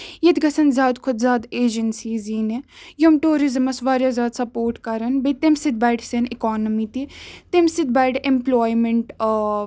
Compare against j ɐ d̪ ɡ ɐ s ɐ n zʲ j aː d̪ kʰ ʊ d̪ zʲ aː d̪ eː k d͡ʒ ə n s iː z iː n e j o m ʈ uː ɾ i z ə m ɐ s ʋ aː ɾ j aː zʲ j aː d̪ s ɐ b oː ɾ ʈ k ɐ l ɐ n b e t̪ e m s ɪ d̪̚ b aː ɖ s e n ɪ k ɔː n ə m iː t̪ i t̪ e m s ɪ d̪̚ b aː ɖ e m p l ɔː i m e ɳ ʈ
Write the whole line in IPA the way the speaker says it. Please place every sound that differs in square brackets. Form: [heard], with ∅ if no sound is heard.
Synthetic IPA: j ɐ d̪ ɡ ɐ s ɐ n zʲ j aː d̪ kʰ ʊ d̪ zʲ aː d̪ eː [∅] d͡ʒ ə n s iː z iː n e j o m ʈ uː ɾ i z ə m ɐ s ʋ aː ɾ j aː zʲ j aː d̪ s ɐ [p] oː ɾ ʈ k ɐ [ɾ] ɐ n b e t̪ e m s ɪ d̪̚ b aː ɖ s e n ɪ k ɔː n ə m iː t̪ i t̪ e m s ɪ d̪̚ b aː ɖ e m p l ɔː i m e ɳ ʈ

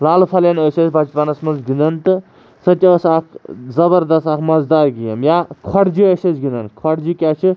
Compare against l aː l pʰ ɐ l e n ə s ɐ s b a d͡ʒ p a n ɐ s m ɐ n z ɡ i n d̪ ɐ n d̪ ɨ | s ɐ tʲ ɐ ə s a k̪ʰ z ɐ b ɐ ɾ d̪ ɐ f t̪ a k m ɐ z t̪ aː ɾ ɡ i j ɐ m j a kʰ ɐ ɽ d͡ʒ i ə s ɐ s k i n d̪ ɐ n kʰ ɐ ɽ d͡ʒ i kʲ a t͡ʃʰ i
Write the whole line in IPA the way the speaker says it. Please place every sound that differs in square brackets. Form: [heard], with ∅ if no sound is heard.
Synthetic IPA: l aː l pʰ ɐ l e n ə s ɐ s b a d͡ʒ p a n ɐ s m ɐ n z ɡ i n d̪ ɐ n [t̪] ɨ | s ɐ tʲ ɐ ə s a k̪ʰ z ɐ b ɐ ɾ d̪ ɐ [s] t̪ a k m ɐ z [d̪] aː ɾ ɡ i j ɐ m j a kʰ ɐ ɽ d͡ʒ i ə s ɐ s [ɡ] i n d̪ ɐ n kʰ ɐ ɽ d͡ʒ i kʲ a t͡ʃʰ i

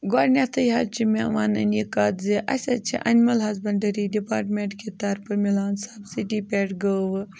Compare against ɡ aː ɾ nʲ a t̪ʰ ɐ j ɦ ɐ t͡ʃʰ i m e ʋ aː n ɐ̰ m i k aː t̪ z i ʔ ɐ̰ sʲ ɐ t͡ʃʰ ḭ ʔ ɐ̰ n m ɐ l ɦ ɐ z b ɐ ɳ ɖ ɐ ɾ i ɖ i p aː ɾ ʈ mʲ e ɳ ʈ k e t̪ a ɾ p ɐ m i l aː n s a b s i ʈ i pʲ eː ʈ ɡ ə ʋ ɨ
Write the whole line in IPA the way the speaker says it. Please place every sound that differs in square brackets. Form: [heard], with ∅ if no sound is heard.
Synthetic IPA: ɡ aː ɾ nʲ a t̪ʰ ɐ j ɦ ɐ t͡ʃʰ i m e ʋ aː n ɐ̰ [n] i k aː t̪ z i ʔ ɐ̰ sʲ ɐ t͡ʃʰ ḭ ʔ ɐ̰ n m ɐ l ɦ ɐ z b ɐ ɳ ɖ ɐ ɾ i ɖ i p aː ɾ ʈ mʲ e ɳ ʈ k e t̪ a ɾ p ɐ m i l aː n s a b s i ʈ i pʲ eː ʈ ɡ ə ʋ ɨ

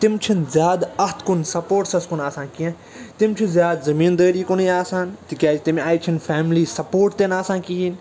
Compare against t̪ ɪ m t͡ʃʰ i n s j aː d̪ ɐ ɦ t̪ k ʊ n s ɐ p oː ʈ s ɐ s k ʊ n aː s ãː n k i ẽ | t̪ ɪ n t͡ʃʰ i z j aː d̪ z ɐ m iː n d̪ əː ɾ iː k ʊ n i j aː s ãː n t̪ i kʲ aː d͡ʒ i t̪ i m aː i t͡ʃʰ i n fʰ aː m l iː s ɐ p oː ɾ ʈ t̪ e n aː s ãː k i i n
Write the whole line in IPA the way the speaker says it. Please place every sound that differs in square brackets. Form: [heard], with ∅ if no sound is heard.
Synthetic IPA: t̪ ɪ m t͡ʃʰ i n [z] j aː d̪ ɐ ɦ t̪ k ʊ n s ɐ p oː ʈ s ɐ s k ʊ n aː s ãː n k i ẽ | t̪ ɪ [m] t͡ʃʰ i z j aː d̪ z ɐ m iː n d̪ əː ɾ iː k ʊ n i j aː s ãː n t̪ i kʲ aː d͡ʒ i t̪ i m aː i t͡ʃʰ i n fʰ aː m l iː s ɐ p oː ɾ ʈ t̪ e n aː s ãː k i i n

